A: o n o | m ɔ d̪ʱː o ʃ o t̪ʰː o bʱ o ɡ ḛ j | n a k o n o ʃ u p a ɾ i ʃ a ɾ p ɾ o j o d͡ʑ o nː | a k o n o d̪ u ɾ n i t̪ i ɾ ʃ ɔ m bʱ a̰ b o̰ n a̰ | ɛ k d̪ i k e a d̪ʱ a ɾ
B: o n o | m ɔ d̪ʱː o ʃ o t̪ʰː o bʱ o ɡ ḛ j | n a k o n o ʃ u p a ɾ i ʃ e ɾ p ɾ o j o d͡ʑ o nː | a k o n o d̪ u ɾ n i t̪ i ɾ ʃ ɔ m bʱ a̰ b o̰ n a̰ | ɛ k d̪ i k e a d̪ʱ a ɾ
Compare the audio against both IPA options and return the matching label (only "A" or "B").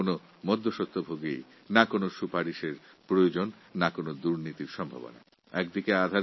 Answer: B